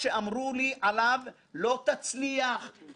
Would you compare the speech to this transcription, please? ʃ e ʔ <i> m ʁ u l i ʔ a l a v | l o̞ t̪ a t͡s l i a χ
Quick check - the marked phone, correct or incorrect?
incorrect